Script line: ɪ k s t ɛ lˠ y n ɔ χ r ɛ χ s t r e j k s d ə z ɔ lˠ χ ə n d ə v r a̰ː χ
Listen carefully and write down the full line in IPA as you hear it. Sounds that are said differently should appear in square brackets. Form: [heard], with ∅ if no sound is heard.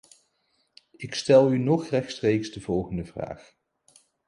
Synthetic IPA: ɪ k s t ɛ lˠ y n ɔ χ r ɛ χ s t r e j k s d ə [v] ɔ lˠ χ ə n d ə v r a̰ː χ